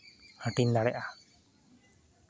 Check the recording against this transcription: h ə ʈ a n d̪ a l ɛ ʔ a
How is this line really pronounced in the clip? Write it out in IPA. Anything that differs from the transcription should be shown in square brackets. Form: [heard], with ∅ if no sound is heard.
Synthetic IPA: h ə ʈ [i] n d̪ a [ɽ] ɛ ʔ a